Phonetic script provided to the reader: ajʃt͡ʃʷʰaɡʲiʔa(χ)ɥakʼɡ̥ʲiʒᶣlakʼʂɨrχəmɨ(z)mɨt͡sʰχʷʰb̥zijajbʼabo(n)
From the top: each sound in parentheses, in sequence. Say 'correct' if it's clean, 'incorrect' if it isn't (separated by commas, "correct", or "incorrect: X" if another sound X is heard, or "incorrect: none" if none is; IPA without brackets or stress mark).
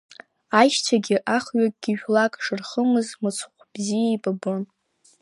correct, correct, correct